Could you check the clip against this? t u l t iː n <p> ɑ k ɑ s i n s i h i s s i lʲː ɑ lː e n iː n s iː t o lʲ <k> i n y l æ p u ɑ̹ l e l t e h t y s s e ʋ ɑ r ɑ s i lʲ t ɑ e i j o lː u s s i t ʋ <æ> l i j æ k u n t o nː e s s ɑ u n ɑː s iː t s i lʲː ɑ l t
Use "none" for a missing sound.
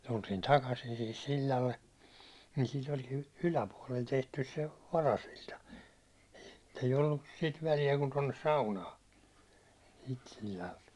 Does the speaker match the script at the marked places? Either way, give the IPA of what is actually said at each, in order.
t, k, æ

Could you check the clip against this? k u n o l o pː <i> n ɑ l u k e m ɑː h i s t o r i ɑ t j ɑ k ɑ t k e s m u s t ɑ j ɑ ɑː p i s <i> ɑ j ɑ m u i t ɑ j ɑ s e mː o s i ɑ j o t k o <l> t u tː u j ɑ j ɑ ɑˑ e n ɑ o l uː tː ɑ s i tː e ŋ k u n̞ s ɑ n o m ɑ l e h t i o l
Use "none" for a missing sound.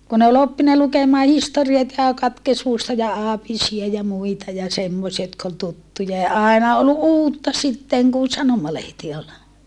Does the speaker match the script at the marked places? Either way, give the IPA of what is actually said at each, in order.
i, i, l

